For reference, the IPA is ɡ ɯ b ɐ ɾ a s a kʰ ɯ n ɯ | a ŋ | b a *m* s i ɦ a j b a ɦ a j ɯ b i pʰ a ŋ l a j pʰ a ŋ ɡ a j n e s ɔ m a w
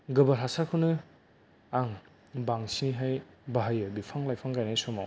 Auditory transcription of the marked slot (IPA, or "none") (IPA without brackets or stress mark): ŋ